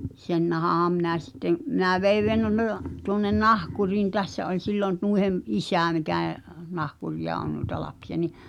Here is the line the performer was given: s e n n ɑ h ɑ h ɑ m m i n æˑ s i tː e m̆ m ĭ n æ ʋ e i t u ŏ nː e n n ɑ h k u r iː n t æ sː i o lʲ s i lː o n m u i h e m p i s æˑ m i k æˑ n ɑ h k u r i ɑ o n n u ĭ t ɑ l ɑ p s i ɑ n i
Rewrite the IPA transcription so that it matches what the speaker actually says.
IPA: s e n n ɑ h ɑ h ɑ m m i n æˑ s i tː e m̆ m ĭ n æ ʋ e i t u ŏ nː e n n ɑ h k u r iː n t æ sː æ o lʲ s i lː o n n u i h e m ʔ i s æˑ m i k æˑ n ɑ h k u r i ɑ o n n u ĭ t ɑ l ɑ p s i ɑ n i